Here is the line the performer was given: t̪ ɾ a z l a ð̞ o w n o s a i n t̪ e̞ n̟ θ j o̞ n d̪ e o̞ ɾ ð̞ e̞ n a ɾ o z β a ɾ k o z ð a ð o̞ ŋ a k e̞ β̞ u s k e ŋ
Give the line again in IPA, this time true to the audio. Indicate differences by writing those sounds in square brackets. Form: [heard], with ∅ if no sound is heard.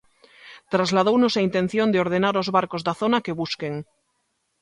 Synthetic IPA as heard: t̪ ɾ a z l a ð̞ o w n o s a i n t̪ e̞ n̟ θ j o̞ n d̪ e o̞ ɾ ð̞ e̞ n a ɾ o z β a ɾ k o z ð a [θ] o̞ [n] a k e̞ β̞ u s k e ŋ